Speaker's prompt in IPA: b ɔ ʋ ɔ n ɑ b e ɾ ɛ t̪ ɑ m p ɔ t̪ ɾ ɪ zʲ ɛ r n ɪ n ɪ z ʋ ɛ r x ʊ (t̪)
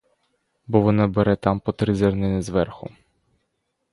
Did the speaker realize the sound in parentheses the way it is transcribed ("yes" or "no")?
no